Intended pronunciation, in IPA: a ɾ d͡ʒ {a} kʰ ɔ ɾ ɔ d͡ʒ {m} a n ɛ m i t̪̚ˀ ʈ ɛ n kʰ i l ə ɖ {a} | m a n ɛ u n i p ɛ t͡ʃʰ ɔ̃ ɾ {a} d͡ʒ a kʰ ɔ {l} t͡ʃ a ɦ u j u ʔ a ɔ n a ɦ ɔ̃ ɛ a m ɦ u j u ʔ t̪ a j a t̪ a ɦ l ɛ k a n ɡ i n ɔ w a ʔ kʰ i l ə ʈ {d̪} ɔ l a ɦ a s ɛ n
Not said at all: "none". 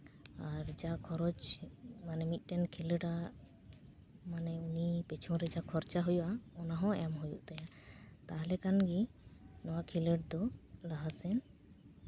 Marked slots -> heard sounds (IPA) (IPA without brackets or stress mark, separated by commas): a, m, a, ɛ, ɾ, d̪